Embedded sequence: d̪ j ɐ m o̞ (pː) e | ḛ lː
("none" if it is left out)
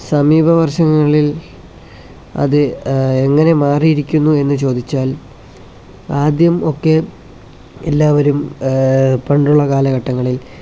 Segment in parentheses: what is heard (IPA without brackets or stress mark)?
kː